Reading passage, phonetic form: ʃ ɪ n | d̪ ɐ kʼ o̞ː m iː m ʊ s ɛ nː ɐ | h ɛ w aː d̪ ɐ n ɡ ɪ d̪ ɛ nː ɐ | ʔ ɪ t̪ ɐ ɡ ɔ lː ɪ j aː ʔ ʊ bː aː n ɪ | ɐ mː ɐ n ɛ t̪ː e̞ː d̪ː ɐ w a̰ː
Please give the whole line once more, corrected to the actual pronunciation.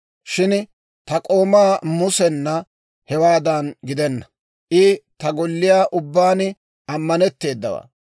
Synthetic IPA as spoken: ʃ ɪ n | t̪ ɐ kʼ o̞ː m aː m ʊ s ɛ nː ɐ | h ɛ w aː d̪ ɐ n ɡ ɪ d̪ ɛ nː ɐ | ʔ ɪ t̪ ɐ ɡ ɔ lː ɪ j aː ʔ ʊ bː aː n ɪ | ɐ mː ɐ n ɛ t̪ː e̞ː d̪ː ɐ w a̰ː